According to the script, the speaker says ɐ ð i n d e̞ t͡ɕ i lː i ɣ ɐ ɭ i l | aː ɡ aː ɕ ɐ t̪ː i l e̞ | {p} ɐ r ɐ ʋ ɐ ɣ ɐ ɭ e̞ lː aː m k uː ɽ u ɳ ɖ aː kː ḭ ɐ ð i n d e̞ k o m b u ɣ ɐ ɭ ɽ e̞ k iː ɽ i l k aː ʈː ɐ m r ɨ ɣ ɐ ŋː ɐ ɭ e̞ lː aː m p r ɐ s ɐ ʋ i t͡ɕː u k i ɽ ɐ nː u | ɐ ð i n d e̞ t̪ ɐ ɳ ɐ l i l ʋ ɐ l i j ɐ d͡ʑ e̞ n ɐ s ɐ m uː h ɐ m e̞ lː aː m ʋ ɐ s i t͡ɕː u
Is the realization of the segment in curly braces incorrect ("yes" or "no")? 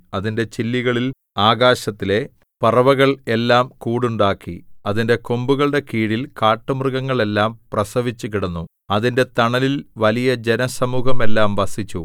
no